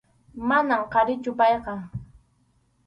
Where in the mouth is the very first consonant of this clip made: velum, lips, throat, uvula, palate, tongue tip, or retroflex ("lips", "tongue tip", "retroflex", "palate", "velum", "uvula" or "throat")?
lips